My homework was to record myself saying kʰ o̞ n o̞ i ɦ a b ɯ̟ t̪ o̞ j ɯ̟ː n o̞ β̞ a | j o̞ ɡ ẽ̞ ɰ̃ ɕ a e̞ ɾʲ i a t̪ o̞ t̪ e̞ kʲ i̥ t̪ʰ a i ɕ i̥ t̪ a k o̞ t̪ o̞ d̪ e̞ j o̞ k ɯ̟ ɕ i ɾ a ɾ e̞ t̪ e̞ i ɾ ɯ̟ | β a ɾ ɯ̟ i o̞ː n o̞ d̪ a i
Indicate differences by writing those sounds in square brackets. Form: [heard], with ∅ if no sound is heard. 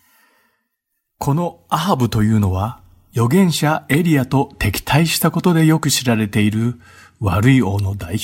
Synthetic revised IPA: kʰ o̞ n o̞ [a] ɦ a b ɯ̟ t̪ o̞ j ɯ̟ː n o̞ β̞ a | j o̞ ɡ ẽ̞ ɰ̃ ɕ a e̞ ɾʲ i a t̪ o̞ t̪ e̞ kʲ i̥ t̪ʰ a i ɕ i̥ t̪ a k o̞ t̪ o̞ d̪ e̞ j o̞ k ɯ̟ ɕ i ɾ a ɾ e̞ t̪ e̞ i ɾ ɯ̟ | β a ɾ ɯ̟ i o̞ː n o̞ d̪ a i